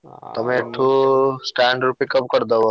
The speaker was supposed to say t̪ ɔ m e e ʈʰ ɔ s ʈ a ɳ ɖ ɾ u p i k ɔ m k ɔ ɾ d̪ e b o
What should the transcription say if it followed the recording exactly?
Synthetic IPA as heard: t̪ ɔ m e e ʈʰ u s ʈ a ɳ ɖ ɾ u p i k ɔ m k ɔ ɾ d̪ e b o

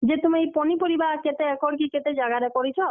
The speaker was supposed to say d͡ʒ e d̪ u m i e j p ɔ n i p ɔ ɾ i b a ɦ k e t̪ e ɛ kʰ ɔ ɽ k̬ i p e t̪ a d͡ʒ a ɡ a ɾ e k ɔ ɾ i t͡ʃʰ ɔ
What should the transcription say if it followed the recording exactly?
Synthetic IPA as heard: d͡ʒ e t̪ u m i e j p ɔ n i p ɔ ɾ i b a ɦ k e t̪ e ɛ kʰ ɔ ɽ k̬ i k e t̪ e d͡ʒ a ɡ a ɾ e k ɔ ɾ i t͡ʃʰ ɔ

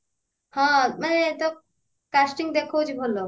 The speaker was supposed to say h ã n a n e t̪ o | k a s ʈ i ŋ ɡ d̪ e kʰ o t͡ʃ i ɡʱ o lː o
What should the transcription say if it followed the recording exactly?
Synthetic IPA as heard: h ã m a n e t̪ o | k a s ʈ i ŋ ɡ d̪ e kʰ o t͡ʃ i bʱ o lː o

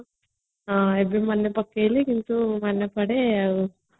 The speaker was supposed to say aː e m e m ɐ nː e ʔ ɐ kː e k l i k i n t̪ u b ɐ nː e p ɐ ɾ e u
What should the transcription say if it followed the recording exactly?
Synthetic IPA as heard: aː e b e m ɐ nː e p ɐ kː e l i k i n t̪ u m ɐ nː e p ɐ ɽ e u

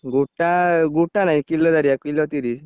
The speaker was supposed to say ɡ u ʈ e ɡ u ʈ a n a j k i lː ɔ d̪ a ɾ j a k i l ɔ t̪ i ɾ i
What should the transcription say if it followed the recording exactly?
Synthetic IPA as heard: ɡ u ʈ a ɡ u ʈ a n a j k i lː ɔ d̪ a ɾ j a k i l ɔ t̪ i ɾ i

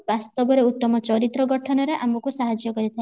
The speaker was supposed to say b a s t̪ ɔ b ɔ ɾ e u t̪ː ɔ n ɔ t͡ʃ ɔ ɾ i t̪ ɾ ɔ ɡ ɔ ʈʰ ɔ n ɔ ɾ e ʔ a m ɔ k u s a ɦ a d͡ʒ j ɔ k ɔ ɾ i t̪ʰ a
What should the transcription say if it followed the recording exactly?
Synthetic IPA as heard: b a s t̪ ɔ b ɔ ɾ e u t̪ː ɔ m ɔ t͡ʃ ɔ ɾ i t̪ ɾ ɔ ɡ ɔ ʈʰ ɔ n ɔ ɾ e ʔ a m ɔ k u s a ɦ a d͡ʒ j ɔ k ɔ ɾ i t̪ʰ a

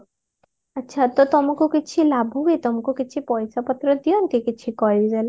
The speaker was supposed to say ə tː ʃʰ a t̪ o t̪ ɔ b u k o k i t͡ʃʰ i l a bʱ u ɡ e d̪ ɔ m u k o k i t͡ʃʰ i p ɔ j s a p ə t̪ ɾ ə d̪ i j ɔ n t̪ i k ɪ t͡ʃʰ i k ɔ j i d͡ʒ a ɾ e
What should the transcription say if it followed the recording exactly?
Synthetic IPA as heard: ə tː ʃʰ a t̪ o t̪ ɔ m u k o k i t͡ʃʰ i l a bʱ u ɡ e t̪ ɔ m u k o k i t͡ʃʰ i p ɔ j s a p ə t̪ ɾ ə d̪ i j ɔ n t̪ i k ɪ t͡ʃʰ i k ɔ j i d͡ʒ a l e

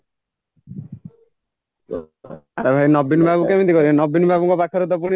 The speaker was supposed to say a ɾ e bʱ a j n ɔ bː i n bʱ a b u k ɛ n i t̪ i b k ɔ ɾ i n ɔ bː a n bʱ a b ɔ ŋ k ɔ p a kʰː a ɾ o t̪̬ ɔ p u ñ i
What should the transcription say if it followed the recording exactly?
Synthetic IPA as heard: a ɾ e bʱ a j n ɔ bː i n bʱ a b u k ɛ m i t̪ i k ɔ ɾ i n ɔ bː i n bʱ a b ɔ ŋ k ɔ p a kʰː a ɾ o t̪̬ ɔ p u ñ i

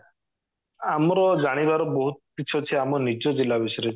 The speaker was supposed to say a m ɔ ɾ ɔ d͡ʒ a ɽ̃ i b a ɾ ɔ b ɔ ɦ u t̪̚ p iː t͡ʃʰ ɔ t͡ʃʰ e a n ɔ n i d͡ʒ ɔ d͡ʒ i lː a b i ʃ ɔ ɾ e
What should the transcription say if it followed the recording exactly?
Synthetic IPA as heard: a m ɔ ɾ ɔ d͡ʒ a ɽ̃ i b a ɾ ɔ b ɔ ɦ u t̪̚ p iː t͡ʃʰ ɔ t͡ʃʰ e a m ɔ n i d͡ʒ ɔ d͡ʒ i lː a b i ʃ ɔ ɾ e

